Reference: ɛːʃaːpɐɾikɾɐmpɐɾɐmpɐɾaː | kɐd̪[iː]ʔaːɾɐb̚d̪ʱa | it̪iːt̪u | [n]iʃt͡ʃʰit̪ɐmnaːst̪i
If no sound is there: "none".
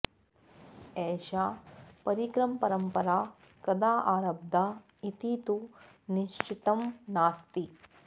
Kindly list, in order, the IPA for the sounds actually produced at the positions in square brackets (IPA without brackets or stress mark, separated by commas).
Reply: aː, n